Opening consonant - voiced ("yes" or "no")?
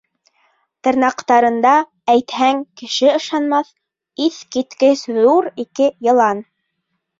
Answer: no